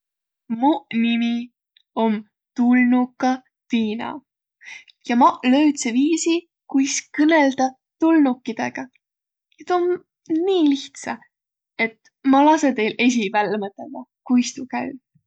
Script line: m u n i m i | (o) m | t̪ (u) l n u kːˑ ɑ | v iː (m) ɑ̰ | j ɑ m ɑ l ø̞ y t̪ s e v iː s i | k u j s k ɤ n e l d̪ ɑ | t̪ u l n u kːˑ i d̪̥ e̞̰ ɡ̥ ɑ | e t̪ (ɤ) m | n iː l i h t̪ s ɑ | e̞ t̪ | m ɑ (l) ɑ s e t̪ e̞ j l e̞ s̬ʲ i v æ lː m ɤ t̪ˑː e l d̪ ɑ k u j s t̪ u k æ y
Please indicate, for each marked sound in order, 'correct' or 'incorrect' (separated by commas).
correct, correct, incorrect, incorrect, correct